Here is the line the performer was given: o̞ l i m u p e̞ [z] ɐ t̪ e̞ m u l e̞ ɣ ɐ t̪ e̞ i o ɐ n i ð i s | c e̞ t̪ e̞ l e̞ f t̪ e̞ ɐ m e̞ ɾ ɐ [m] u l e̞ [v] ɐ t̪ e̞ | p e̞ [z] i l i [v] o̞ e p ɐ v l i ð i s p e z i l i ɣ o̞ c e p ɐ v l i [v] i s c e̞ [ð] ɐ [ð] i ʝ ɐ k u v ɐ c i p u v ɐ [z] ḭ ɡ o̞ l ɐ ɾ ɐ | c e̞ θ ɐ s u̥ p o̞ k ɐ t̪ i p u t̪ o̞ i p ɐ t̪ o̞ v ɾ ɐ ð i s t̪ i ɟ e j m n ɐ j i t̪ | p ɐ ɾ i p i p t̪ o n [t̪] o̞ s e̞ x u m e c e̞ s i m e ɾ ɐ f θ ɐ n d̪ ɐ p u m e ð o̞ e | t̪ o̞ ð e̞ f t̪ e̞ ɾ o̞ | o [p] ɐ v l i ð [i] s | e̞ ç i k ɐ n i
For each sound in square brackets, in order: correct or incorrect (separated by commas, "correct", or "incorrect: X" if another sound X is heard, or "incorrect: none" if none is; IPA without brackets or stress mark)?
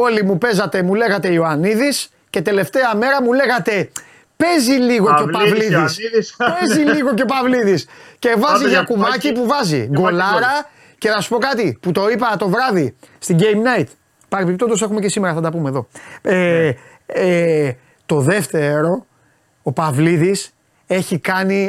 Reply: correct, correct, incorrect: ɣ, correct, incorrect: ɣ, incorrect: ð, incorrect: v, incorrect: z, correct, incorrect: d̪, correct, correct